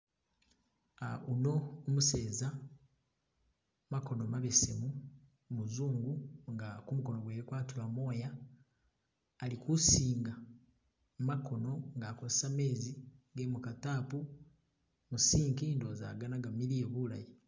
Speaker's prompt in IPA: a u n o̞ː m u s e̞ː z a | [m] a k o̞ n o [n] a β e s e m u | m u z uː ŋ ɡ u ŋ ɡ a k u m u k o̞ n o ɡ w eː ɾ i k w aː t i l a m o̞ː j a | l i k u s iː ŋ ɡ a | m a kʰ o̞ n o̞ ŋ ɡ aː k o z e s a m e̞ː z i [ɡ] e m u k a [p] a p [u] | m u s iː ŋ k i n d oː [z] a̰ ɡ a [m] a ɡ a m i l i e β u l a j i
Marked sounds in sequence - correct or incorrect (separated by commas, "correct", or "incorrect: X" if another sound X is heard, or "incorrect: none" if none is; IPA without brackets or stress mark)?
correct, incorrect: m, correct, incorrect: t, correct, correct, incorrect: n